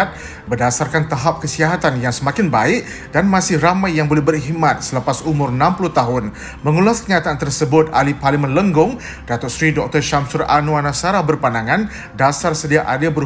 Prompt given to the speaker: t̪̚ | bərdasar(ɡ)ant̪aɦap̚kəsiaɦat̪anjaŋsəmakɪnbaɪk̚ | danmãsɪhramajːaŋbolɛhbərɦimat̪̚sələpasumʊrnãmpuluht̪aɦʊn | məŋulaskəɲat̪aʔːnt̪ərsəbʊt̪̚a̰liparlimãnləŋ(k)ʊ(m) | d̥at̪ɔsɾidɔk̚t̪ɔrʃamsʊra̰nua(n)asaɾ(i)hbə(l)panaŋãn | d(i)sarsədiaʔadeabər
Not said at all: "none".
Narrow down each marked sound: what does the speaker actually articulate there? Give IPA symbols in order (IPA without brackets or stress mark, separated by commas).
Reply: k, ɡ, ŋ, n, a, r, a